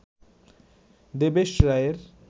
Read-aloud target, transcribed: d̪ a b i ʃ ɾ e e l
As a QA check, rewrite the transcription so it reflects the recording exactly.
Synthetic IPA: d̪ e b e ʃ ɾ a e ɾ